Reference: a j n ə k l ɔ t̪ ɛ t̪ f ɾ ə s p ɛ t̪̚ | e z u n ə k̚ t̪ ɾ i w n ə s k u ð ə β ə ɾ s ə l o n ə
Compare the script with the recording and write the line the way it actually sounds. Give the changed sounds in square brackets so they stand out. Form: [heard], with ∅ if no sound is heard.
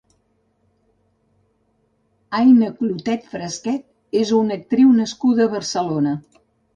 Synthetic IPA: a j n ə k l [u] t̪ ɛ t̪ f ɾ ə s [k] ɛ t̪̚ | e z u n ə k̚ t̪ ɾ i w n ə s k u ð ə β ə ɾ s ə l o n ə